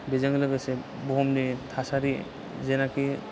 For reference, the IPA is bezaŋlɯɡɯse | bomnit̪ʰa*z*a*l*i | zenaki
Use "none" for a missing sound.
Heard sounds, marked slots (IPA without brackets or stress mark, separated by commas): s, ɾ